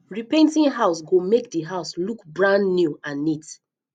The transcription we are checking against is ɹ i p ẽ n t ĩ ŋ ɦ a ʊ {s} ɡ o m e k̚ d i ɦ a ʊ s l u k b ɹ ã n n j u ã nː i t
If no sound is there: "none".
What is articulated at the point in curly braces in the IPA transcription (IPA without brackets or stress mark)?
s